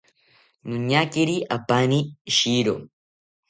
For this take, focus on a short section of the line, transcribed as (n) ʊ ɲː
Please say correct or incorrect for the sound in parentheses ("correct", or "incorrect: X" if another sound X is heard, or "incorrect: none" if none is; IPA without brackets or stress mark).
correct